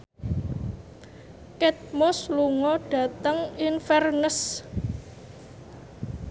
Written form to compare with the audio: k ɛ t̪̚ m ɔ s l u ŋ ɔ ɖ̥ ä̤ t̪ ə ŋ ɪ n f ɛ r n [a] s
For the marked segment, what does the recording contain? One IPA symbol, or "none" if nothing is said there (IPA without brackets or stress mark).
ə